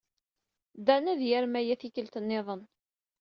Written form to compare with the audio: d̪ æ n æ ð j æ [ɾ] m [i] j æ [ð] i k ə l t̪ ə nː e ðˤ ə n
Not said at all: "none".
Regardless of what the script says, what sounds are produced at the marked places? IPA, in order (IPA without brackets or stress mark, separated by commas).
ɾ, æ, θ